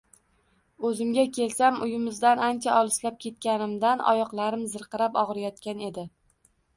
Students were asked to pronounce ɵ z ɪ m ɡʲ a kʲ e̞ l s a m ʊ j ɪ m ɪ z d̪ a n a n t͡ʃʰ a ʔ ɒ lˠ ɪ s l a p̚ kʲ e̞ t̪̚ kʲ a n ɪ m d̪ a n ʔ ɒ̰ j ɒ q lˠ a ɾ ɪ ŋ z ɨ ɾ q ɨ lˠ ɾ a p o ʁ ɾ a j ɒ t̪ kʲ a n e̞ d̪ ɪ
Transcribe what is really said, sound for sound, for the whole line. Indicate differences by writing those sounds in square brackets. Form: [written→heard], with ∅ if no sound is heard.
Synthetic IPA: ɵ z ɪ m ɡʲ a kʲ e̞ l s a m ʊ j ɪ m ɪ z d̪ a n a n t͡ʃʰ a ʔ ɒ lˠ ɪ s l a p̚ kʲ e̞ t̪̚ kʲ a n ɪ m d̪ a n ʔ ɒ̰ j ɒ q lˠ a ɾ ɪ [ŋ→m] z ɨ ɾ q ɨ [lˠ→∅] ɾ a p [o→ɒ] ʁ ɾ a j ɒ t̪ kʲ a n e̞ d̪ ɪ